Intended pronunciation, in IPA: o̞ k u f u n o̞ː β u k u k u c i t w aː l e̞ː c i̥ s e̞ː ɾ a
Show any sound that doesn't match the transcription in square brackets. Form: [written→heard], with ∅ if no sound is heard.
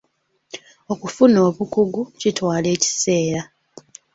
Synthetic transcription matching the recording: o̞ k u f u n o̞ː β u k u [k→ɡ] u c i t w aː l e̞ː c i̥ s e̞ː ɾ a